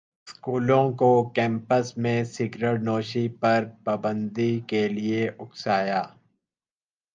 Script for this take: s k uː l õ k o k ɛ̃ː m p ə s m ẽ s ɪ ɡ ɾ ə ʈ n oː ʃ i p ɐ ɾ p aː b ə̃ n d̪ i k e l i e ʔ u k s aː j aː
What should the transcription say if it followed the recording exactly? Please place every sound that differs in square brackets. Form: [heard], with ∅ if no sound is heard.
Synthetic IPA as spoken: s k uː l õ k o k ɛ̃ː m p ə s m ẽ s ɪ ɡ ɾ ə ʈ n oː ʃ i p ɐ ɾ p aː b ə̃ n d̪ i k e l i e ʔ [ʊ] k s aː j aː